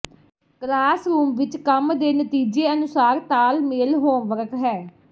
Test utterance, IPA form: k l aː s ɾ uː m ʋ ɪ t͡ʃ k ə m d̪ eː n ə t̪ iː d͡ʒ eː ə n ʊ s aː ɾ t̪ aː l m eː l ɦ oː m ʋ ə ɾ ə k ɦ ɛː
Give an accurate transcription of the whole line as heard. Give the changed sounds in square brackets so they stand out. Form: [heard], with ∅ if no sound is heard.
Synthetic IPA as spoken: k l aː s ɾ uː m ʋ ɪ t͡ʃ k ə m d̪ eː n ə t̪ iː d͡ʒ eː ə n ʊ s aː ɾ t̪ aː l m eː l ɦ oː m ʋ ə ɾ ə k ɦ ɛː